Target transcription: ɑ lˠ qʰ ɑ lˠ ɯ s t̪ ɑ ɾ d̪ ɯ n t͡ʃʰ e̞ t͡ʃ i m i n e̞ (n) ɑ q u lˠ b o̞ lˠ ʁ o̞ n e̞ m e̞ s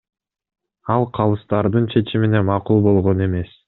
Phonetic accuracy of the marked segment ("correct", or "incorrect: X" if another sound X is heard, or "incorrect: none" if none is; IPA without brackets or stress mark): incorrect: m